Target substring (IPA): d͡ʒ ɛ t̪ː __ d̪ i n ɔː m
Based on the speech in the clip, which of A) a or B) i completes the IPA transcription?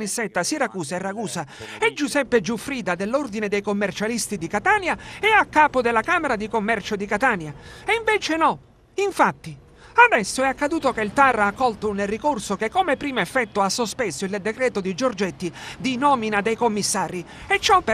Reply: B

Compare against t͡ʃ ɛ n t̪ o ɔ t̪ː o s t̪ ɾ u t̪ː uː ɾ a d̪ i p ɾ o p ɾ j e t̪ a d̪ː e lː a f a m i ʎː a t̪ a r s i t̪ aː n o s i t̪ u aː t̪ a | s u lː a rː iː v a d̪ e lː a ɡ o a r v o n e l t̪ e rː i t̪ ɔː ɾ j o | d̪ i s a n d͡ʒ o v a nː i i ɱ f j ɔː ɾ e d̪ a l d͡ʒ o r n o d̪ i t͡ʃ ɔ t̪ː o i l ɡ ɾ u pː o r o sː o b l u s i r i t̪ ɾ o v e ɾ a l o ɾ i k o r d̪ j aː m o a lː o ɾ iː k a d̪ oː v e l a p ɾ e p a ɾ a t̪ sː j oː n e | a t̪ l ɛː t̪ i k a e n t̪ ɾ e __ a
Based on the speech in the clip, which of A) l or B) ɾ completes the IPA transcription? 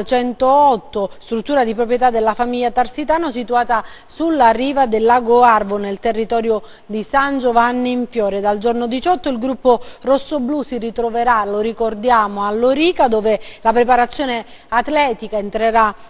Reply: B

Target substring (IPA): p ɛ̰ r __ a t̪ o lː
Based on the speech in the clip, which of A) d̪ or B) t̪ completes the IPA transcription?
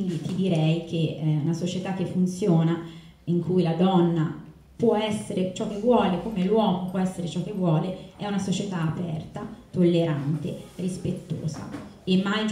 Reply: B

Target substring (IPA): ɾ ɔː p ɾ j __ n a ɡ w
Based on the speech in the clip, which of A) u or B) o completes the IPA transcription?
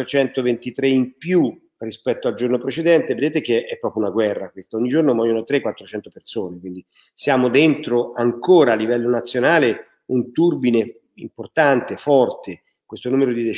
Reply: A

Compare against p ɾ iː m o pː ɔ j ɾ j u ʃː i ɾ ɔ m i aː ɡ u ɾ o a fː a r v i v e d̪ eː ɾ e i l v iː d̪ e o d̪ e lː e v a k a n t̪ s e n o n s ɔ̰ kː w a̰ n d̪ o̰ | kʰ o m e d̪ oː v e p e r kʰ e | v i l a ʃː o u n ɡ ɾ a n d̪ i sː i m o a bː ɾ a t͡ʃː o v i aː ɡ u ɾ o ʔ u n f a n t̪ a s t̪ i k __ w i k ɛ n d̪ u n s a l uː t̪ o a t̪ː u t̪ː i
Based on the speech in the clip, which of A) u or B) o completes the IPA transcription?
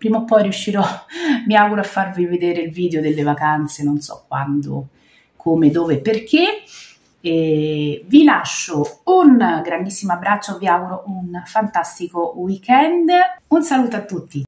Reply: B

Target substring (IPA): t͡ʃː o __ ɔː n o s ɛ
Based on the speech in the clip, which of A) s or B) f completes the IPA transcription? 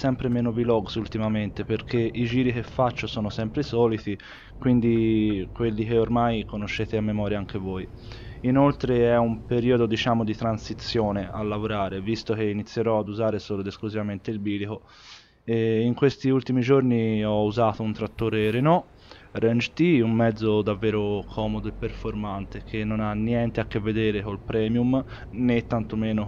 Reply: A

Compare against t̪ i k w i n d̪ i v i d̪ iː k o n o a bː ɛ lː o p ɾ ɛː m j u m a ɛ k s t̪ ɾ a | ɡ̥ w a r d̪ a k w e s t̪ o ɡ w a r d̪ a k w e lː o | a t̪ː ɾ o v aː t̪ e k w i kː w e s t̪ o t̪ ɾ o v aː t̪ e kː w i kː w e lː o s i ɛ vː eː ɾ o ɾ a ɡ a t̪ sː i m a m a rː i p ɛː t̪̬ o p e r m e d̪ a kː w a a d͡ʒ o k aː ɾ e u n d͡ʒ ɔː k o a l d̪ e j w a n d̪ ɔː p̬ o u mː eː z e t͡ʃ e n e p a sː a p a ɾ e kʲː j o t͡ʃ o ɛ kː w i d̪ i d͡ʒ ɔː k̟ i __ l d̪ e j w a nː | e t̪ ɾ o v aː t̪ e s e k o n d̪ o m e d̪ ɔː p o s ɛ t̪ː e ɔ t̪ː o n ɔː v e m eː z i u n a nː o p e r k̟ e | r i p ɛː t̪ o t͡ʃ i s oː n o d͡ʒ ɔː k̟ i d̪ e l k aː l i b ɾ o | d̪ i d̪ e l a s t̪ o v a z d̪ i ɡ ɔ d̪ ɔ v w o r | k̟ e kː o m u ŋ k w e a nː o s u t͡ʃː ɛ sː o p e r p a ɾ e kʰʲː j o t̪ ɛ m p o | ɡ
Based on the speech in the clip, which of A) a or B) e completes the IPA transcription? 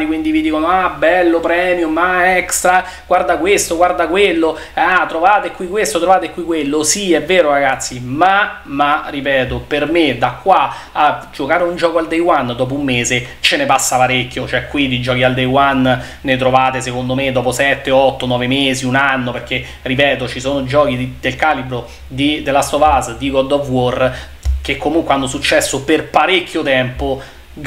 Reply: A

